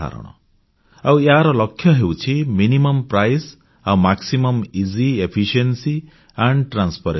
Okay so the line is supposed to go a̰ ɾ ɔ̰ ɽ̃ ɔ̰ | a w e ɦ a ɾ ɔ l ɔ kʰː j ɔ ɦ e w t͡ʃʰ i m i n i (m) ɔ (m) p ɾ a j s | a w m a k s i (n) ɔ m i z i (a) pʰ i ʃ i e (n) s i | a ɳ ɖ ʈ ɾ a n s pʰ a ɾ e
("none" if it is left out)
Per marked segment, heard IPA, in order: m, m, m, e, n

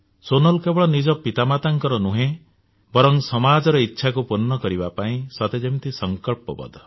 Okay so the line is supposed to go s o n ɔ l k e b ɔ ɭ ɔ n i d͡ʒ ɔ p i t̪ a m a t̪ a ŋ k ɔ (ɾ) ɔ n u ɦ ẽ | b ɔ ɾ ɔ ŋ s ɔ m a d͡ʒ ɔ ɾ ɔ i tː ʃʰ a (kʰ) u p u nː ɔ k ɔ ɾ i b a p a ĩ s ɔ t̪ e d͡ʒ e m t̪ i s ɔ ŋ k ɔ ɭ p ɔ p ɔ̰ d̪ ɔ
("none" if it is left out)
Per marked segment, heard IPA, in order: ɾ, k

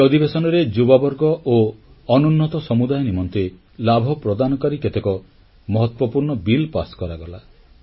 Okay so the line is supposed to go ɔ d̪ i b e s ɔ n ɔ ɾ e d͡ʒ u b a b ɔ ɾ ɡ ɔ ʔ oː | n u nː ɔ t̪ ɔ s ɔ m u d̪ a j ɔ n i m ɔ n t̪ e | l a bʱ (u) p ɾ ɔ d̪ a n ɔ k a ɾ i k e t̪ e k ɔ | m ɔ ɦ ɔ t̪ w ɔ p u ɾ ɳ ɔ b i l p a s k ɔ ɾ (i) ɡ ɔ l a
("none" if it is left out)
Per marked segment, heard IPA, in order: ɔ, a

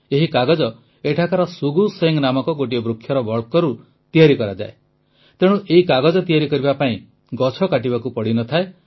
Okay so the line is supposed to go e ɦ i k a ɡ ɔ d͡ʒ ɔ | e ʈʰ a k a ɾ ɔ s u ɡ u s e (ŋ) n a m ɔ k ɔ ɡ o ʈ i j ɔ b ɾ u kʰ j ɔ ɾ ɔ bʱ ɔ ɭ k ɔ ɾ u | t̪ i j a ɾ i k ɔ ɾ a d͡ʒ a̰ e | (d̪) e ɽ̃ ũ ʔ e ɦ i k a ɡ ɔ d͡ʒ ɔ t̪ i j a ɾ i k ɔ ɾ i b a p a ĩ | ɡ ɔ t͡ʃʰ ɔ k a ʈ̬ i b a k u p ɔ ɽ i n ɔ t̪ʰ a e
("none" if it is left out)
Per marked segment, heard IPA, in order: ŋ, t̪

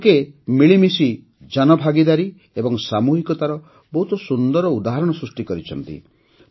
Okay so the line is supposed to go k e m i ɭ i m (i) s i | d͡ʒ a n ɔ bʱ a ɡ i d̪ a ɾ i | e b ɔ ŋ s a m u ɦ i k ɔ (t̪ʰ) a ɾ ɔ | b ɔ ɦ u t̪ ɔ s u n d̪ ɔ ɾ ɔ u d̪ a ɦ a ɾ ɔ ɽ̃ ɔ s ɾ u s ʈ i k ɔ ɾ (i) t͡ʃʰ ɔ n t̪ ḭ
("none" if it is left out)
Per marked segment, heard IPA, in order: i, t̪, i

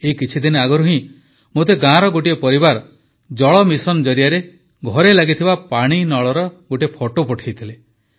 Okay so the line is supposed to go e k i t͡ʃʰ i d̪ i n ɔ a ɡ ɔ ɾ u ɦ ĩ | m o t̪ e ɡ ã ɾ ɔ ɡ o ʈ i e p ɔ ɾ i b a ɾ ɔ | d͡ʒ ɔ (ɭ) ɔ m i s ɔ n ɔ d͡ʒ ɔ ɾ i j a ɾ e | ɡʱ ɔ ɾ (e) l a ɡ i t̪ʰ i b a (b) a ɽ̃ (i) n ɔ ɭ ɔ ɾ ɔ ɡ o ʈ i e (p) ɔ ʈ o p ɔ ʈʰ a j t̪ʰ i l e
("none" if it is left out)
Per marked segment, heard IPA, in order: ɭ, e, p, i, pʰ

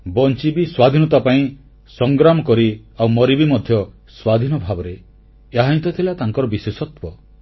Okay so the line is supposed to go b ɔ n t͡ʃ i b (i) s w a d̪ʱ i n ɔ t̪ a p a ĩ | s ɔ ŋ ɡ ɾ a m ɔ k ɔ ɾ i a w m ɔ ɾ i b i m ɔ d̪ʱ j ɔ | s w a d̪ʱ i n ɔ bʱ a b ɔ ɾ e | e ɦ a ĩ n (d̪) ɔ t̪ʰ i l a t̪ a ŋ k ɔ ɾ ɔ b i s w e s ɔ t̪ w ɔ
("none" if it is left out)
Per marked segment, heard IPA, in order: i, t̪

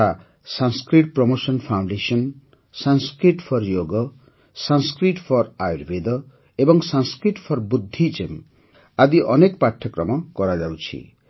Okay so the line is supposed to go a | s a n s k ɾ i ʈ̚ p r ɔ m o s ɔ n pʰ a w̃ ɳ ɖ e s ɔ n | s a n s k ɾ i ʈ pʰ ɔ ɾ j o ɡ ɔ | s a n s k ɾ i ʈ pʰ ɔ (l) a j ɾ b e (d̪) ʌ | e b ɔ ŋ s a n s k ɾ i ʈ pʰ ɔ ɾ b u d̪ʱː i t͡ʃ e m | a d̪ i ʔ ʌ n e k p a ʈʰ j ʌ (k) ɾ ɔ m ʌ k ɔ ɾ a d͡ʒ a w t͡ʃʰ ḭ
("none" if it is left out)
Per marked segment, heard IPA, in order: ɾ, d̪, k

